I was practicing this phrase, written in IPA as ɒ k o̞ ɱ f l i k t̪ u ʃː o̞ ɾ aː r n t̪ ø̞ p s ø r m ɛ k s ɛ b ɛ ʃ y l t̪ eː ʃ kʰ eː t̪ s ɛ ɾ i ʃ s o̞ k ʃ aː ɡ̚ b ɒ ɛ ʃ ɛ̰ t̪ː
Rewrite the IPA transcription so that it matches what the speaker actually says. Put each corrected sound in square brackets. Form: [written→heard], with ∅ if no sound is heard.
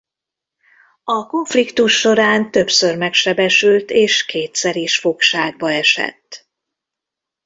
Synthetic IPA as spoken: ɒ k o̞ ɱ f l i k t̪ u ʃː o̞ ɾ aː [r→∅] n t̪ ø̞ p s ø r m ɛ k [s→ʃ] ɛ b ɛ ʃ y l t̪ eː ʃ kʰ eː t̪ s ɛ ɾ i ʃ [s→f] o̞ k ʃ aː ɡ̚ b ɒ ɛ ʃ ɛ̰ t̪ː